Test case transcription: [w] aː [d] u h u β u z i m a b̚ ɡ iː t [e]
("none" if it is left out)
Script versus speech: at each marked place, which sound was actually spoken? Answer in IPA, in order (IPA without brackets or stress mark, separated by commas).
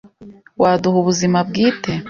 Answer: w, d, e